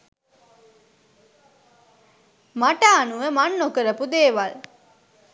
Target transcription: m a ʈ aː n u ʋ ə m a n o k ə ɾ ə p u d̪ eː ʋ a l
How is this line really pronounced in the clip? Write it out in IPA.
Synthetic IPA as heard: m a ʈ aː n u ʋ ə m a nː o k ə ɾ ə p u d̪ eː ʋ a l